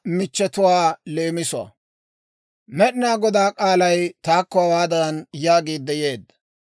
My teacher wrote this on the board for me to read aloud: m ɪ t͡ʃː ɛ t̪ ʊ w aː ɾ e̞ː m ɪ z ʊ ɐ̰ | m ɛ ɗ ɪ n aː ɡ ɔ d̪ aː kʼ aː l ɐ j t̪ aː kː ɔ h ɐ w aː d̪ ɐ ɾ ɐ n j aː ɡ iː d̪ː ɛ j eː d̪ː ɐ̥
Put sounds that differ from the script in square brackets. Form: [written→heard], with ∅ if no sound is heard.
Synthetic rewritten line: m ɪ t͡ʃː ɛ t̪ ʊ w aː [ɾ→l] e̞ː m ɪ [z→s] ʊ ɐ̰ | m ɛ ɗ ɪ n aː ɡ ɔ d̪ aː kʼ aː l ɐ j t̪ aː kː ɔ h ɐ w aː d̪ ɐ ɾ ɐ n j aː ɡ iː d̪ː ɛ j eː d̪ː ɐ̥

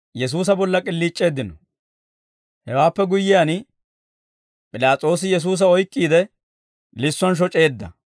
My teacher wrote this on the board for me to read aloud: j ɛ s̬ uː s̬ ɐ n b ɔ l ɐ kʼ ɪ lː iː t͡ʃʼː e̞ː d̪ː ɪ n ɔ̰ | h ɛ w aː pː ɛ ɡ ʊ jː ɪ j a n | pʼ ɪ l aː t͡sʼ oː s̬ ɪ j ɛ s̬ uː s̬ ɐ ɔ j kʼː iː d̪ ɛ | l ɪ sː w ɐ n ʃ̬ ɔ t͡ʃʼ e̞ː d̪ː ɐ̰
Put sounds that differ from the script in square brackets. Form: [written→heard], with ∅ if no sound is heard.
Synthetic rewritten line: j ɛ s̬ uː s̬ ɐ [n→∅] b ɔ [l→lː] ɐ kʼ ɪ lː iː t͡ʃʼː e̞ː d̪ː ɪ n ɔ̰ | h ɛ w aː pː ɛ ɡ ʊ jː ɪ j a n | pʼ ɪ l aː t͡sʼ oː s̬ ɪ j ɛ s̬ uː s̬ ɐ ɔ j kʼː iː d̪ ɛ | l ɪ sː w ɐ n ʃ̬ ɔ t͡ʃʼ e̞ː d̪ː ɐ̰

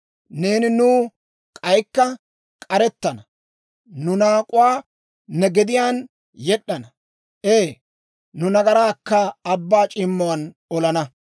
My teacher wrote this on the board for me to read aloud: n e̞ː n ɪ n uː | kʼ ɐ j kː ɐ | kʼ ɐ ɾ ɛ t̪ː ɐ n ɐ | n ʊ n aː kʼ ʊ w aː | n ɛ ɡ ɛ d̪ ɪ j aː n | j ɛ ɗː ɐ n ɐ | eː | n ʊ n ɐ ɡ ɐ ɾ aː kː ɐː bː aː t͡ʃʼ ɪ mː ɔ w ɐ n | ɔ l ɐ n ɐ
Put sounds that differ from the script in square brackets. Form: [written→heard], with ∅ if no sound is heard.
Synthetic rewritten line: n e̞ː n ɪ n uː | kʼ ɐ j kː ɐ | kʼ ɐ ɾ ɛ t̪ː ɐ n ɐ | n ʊ n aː kʼ ʊ w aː | n ɛ ɡ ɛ d̪ ɪ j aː n | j ɛ ɗː ɐ n ɐ | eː | n ʊ n ɐ ɡ ɐ ɾ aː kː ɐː bː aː t͡ʃʼ ɪ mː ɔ w ɐ n | ɔ l ɐ n ɐ

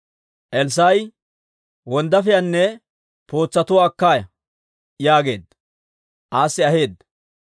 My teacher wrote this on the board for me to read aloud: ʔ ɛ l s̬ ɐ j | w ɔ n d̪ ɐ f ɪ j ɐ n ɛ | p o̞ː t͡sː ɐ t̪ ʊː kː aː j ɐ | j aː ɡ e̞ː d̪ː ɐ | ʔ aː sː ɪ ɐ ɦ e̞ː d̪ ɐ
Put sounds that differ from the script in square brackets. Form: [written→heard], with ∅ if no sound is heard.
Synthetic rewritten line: ʔ ɛ l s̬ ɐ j | w ɔ n d̪ ɐ f ɪ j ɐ [n→nː] ɛ | p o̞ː t͡sː ɐ t̪ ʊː kː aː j ɐ | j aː ɡ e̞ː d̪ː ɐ | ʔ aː sː ɪ ɐ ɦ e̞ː d̪ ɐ

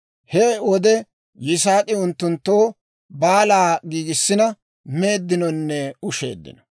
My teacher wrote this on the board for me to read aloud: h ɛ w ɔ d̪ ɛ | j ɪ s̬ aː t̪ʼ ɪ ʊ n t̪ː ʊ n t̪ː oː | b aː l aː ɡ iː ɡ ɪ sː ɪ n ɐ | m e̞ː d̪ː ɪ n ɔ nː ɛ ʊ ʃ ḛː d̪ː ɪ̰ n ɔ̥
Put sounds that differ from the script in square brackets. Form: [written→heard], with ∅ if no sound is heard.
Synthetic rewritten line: h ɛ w ɔ d̪ ɛ | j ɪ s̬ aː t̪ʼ ɪ ʊ n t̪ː ʊ n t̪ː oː | b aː l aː ɡ iː ɡ ɪ sː ɪ n ɐ | m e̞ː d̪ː ɪ n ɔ nː ɛ ʊ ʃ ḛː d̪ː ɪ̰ n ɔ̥

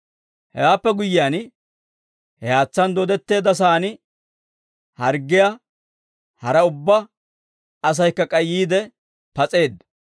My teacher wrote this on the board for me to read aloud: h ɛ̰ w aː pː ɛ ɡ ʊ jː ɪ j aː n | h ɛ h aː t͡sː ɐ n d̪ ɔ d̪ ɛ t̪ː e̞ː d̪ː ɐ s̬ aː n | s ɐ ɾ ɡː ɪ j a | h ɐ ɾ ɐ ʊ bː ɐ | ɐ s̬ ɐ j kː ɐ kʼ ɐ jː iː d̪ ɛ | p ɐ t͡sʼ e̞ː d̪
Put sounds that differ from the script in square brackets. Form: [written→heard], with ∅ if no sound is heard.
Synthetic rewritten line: h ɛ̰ w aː pː ɛ ɡ ʊ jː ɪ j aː n | h ɛ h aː t͡sː ɐ n d̪ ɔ d̪ ɛ t̪ː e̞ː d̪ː ɐ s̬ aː n | [s→h] ɐ ɾ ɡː ɪ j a | h ɐ ɾ ɐ ʊ bː ɐ | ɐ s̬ ɐ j kː ɐ kʼ ɐ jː iː d̪ ɛ | p ɐ t͡sʼ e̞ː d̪

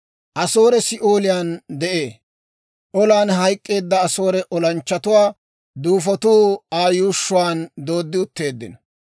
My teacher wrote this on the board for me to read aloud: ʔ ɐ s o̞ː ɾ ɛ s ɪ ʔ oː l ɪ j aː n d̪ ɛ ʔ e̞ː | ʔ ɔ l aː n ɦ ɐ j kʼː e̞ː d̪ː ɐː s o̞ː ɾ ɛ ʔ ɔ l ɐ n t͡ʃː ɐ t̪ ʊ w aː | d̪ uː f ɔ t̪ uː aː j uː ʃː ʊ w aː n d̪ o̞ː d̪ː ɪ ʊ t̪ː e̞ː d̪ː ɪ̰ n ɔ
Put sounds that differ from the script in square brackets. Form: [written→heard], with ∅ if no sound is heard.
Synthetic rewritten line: ʔ ɐ s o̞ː ɾ ɛ s ɪ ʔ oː l ɪ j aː n d̪ ɛ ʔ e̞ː | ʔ ɔ l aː n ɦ ɐ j kʼː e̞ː d̪ː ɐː s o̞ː ɾ ɛ ʔ ɔ l ɐ n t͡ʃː ɐ t̪ ʊ w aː | d̪ uː f ɔ t̪ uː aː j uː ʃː ʊ w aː n d̪ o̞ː d̪ː ɪ ʊ t̪ː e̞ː d̪ː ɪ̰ n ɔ

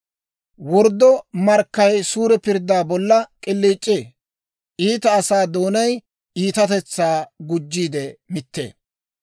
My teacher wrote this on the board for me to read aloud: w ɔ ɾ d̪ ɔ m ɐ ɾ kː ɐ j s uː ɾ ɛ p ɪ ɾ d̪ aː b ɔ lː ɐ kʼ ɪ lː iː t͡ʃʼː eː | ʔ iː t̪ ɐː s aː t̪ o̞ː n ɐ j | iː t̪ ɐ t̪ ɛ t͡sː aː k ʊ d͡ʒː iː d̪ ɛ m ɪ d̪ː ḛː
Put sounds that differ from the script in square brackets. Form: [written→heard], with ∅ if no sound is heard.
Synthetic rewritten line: w ɔ ɾ d̪ ɔ m ɐ ɾ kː ɐ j s uː ɾ ɛ p ɪ ɾ d̪ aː b ɔ lː ɐ kʼ ɪ lː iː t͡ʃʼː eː | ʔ iː t̪ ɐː s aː [t̪→d̪] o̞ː n ɐ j | iː t̪ ɐ t̪ ɛ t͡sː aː [k→ɡ] ʊ d͡ʒː iː d̪ ɛ m ɪ [d̪ː→t̪ː] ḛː

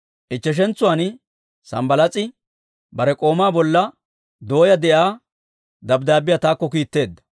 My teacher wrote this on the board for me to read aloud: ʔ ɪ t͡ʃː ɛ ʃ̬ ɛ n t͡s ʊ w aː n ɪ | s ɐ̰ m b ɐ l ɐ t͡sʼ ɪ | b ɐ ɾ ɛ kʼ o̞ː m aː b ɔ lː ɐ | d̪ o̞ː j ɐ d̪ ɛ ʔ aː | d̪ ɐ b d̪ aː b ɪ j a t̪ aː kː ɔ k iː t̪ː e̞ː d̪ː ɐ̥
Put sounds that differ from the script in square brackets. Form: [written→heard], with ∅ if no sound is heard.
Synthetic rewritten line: ʔ ɪ t͡ʃː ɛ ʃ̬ ɛ n t͡s ʊ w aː n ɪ | s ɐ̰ m b ɐ l ɐ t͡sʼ ɪ | b ɐ ɾ ɛ kʼ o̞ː m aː b ɔ lː ɐ | d̪ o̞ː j ɐ d̪ ɛ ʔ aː | d̪ ɐ b d̪ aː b ɪ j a t̪ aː kː ɔ k iː t̪ː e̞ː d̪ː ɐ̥

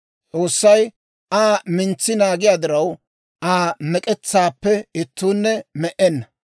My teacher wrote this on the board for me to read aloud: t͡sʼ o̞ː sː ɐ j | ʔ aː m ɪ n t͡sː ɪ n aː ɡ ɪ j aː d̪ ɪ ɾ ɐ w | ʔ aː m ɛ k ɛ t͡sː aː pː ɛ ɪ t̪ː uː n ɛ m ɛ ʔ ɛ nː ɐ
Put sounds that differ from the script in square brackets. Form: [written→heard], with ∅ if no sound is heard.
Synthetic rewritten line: t͡sʼ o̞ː sː ɐ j | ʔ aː m ɪ n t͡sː ɪ n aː ɡ ɪ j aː d̪ ɪ ɾ ɐ w | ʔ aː m ɛ [k→kʼ] ɛ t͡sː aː pː ɛ ɪ t̪ː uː [n→nː] ɛ m ɛ ʔ ɛ nː ɐ

